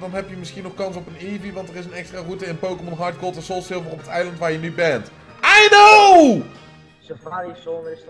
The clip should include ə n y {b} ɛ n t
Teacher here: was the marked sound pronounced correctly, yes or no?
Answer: yes